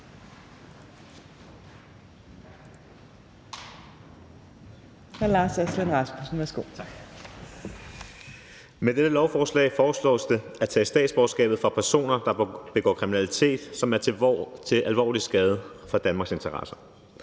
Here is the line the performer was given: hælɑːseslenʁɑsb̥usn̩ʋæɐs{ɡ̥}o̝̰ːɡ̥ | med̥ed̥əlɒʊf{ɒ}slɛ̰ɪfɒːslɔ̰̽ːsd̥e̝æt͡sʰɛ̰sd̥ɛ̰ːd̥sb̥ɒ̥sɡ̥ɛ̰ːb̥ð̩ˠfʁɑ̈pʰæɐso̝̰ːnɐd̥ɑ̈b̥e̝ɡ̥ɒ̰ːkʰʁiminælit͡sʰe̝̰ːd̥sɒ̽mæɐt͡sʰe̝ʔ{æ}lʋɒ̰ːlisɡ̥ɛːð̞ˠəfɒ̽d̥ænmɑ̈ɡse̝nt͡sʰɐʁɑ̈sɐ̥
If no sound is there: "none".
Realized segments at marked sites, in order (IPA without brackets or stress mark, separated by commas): ɡ̥, ɒː, æ